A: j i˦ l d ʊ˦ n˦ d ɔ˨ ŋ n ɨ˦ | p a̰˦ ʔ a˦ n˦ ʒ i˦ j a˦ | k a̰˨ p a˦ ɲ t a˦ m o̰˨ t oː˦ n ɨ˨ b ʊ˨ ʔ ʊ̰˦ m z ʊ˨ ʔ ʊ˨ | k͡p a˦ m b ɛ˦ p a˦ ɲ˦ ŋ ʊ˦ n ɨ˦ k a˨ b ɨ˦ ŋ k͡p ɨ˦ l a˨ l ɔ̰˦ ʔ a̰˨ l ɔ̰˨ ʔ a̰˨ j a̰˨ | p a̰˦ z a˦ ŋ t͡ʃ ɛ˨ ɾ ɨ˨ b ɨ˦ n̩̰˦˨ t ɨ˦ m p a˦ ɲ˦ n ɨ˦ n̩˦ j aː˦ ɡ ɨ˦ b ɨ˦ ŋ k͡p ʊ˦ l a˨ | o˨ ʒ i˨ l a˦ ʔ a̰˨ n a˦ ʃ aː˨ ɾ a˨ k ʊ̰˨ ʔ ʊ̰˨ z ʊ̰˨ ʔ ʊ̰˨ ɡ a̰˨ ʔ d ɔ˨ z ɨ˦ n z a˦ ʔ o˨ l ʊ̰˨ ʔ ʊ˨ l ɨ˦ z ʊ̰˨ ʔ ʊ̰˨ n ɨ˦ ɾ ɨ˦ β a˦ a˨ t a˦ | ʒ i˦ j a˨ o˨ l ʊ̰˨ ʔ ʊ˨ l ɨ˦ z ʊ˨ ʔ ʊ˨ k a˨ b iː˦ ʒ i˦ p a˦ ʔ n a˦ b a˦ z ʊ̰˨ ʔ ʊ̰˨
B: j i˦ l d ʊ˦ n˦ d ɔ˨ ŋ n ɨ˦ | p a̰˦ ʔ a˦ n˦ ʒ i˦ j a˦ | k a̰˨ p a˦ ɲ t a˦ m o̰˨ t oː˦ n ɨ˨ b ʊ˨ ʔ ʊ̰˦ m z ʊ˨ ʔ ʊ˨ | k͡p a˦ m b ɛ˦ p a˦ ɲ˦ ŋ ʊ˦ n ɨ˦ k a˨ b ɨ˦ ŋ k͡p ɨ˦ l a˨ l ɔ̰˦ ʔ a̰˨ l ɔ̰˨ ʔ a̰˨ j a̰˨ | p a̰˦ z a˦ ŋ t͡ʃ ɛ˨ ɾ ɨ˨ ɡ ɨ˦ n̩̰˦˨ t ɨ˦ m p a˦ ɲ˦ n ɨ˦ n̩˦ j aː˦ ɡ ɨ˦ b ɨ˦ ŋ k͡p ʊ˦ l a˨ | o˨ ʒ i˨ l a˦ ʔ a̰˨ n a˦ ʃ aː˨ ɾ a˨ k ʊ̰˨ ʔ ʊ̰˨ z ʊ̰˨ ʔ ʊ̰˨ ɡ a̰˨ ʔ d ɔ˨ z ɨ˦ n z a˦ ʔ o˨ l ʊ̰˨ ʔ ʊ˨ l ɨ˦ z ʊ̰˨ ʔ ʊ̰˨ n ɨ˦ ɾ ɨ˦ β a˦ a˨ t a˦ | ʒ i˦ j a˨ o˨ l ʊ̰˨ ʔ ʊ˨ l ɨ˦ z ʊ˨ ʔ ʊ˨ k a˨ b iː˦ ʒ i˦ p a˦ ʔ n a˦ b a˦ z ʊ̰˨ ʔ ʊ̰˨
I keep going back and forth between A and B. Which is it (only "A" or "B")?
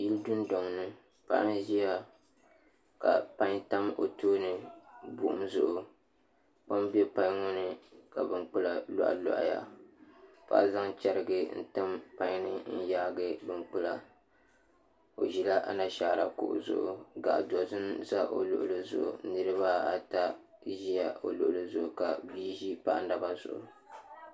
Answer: B